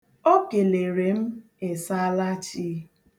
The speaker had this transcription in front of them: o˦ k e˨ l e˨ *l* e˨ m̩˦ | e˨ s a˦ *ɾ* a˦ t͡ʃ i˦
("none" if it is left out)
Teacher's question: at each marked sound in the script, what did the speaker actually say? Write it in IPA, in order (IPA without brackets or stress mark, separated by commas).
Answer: ɾ, l